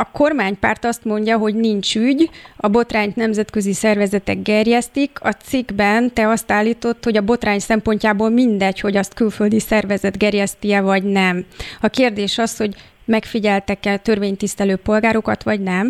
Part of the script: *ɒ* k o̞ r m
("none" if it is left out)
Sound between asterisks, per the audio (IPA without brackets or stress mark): ɒ